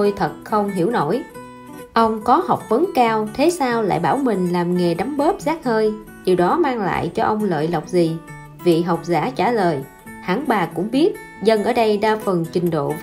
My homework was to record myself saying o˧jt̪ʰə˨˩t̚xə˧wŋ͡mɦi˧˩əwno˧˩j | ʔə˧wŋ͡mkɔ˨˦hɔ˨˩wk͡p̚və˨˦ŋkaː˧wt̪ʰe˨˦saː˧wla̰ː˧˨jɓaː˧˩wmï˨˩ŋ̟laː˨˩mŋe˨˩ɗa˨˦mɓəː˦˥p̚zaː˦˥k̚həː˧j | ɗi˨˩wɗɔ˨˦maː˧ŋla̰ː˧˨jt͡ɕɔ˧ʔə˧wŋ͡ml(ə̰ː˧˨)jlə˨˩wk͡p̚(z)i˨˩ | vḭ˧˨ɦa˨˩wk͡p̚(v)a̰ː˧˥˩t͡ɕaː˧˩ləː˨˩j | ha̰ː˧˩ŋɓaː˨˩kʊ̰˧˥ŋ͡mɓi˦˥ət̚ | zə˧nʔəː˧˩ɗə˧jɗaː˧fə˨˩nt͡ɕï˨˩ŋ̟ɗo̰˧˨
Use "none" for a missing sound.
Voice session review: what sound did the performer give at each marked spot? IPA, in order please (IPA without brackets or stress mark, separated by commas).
ə̰ː˧˨, z, z